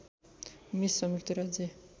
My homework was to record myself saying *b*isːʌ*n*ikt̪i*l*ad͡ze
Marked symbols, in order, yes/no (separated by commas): no, no, no